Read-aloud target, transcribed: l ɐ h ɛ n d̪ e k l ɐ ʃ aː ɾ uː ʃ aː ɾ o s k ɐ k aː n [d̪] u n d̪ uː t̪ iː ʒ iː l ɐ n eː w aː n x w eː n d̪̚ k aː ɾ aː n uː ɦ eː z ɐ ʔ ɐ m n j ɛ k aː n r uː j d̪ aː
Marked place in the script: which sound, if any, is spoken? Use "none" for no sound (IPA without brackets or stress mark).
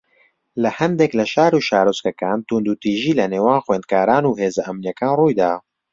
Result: t̪